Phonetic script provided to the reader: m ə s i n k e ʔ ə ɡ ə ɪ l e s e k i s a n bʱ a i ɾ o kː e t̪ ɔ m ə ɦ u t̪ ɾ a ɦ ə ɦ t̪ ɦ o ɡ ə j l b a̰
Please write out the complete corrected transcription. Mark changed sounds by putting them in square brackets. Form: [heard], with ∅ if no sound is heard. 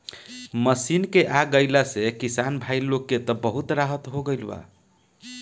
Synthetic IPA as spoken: m ə s i n k e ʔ [a] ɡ ə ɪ l [a] s e k i s a n bʱ a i [l] o kː e t̪ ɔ [b] ə ɦ u t̪ ɾ a ɦ ə [∅] t̪ ɦ o ɡ ə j l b a̰